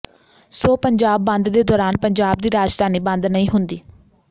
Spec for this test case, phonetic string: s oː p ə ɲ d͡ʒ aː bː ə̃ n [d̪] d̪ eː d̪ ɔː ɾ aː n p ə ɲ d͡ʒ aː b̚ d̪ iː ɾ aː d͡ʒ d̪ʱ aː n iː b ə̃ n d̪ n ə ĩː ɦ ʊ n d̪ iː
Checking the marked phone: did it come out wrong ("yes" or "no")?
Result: no